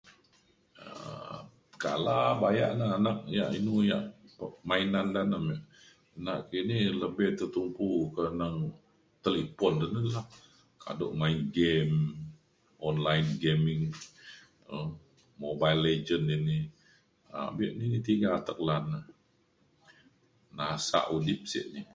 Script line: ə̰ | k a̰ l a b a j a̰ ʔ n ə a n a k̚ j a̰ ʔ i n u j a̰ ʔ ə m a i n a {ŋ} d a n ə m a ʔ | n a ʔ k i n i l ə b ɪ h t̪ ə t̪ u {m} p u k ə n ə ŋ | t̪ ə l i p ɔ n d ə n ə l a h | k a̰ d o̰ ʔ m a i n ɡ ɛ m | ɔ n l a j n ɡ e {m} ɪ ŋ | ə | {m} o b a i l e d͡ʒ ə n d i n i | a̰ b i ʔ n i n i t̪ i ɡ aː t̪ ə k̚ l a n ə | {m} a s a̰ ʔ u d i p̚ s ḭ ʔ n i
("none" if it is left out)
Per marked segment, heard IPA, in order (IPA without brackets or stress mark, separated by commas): n, m, m, m, n